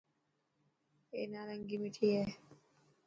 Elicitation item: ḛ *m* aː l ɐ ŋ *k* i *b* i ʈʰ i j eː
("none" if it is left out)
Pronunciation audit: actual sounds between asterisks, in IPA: n, ɡ, m

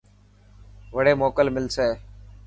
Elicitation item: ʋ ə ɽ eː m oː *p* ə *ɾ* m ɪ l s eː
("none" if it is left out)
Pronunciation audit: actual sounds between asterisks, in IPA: k, l

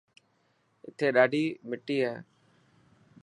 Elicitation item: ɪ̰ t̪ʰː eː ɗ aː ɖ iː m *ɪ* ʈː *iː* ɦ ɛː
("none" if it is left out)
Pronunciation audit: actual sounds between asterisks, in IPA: ɪ, iː

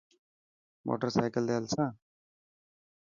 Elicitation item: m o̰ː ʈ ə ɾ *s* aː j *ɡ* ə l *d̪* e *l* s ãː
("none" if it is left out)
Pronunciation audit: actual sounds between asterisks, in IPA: s, k, d̪, l

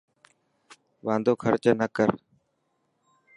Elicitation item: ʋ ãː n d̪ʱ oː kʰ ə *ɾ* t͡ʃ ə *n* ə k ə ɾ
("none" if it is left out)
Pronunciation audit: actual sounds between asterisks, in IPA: ɾ, n

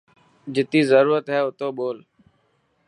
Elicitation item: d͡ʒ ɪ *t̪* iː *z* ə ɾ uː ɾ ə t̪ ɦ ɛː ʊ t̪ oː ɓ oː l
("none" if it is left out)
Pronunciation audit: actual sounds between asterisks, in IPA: t̪, z

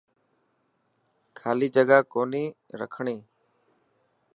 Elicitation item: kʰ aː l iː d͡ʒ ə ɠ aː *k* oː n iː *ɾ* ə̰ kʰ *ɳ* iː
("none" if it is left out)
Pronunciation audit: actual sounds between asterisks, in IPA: k, ɾ, ɳ

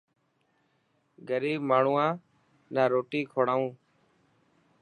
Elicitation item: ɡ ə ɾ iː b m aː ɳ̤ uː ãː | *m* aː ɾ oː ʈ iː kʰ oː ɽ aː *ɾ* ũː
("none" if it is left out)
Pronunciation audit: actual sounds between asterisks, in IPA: n, none

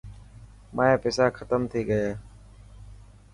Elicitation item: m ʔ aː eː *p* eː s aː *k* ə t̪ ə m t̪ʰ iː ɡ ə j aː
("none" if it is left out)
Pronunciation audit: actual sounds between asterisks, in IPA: p, kʰ

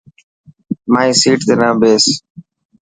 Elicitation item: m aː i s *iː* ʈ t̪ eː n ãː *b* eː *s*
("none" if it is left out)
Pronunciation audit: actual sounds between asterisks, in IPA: iː, b, s

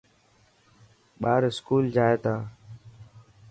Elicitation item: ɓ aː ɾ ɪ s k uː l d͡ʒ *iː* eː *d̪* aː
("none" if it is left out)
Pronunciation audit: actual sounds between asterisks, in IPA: aː, t̪

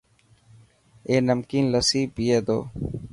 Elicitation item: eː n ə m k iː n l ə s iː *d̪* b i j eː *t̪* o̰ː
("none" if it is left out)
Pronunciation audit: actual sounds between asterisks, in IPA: none, d̪

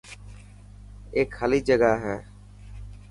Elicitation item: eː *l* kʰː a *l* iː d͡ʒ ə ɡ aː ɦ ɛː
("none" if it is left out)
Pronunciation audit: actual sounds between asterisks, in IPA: none, l

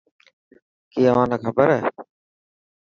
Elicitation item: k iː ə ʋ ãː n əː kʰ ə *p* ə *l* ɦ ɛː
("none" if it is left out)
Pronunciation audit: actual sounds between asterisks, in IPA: b, ɾ

